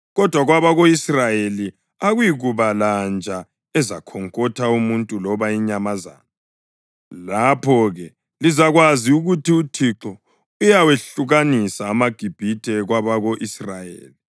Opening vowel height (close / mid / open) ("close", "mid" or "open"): mid